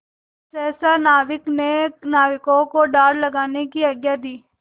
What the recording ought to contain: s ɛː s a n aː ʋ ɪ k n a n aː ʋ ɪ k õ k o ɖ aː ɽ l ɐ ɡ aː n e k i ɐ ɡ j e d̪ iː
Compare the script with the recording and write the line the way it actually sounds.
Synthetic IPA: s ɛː s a n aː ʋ ɪ k n e n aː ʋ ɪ k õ k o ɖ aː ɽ l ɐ ɡ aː n e k i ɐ ɡ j a d̪ iː